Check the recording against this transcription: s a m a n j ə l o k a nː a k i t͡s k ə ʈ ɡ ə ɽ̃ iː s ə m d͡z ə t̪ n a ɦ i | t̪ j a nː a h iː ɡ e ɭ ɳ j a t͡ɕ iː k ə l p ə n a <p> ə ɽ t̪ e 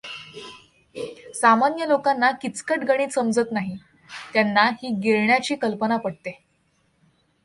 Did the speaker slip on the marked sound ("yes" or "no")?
no